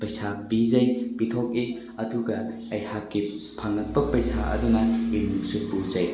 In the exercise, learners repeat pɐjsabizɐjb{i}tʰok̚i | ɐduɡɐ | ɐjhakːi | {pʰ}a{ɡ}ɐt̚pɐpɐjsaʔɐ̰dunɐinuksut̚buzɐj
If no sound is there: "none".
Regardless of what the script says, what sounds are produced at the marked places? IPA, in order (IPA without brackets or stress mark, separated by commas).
i, pʰ, ŋ